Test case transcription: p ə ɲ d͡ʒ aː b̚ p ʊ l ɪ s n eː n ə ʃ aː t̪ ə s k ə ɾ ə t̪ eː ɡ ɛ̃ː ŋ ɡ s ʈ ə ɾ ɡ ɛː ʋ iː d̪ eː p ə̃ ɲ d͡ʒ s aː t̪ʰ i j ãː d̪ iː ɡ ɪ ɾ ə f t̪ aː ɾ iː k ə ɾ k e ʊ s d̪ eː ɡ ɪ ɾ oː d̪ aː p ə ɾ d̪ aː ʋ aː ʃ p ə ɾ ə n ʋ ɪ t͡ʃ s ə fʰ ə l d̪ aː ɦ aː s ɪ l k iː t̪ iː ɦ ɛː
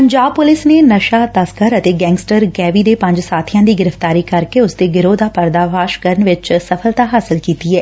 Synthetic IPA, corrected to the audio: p ə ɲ d͡ʒ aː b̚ p ʊ l ɪ s n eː n ə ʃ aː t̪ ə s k ə ɾ ə t̪ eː ɡ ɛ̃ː ŋ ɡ s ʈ ə ɾ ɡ ɛː ʋ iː d̪ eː p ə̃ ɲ d͡ʒ s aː t̪ʰ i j ãː d̪ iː ɡ ɪ ɾ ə f t̪ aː ɾ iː k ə ɾ k e ʊ s d̪ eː ɡ ɪ ɾ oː d̪ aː p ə ɾ d̪ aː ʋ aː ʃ k ə ɾ ə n ʋ ɪ t͡ʃ s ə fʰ ə l t̪ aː ɦ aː s ɪ l k iː t̪ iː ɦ ɛː